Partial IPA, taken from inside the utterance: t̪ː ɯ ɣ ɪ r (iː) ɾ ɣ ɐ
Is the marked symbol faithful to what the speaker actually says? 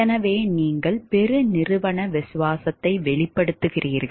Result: yes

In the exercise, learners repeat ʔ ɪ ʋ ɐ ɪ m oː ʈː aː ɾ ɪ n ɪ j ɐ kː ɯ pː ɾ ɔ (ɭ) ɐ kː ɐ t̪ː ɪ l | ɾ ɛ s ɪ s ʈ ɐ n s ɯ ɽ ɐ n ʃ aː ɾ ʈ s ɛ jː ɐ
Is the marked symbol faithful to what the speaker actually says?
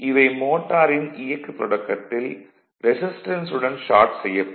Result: no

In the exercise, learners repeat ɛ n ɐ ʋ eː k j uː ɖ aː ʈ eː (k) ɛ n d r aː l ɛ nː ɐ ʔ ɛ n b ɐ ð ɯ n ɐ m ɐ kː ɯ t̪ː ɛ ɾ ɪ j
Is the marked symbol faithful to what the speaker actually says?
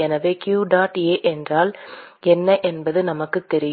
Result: no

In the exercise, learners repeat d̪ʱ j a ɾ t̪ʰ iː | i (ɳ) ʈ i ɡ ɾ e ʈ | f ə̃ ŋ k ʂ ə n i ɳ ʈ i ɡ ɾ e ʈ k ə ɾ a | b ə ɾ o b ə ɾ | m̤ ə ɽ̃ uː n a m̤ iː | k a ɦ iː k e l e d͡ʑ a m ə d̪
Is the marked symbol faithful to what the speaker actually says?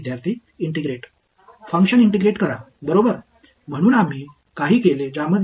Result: yes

